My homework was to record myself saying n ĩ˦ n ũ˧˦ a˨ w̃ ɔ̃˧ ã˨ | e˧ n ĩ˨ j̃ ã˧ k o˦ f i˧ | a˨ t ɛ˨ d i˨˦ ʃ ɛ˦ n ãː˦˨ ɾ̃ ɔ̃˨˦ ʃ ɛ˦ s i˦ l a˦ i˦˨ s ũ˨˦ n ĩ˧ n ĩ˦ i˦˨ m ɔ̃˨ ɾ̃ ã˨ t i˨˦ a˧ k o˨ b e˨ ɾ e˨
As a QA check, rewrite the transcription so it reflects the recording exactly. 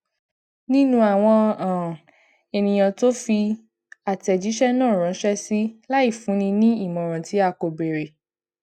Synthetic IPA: n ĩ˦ n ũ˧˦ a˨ w̃ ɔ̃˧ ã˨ | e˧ n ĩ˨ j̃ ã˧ t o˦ f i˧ | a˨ t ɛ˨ d͡ʒ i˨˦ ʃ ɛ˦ n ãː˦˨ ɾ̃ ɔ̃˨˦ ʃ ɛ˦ s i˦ l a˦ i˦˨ f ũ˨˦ n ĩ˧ n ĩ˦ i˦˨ m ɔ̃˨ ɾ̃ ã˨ t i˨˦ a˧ k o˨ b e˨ ɾ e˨